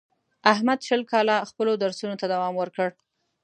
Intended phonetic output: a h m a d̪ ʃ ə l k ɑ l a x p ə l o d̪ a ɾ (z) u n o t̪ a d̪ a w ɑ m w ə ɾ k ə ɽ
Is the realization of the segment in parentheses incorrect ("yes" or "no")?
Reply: yes